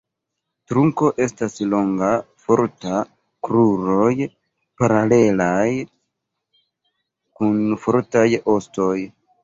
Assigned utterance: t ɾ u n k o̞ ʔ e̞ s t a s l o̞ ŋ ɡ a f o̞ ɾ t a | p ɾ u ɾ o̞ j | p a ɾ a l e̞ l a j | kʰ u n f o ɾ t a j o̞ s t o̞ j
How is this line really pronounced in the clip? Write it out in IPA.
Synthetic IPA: t ɾ u ŋ k o̞ ʔ e̞ s t a s l o̞ ŋ ɡ a f o̞ ɾ t a | k ɾ u ɾ o̞ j | p a ɾ a l e̞ l a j | k u n f o ɾ t a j o̞ s t o̞ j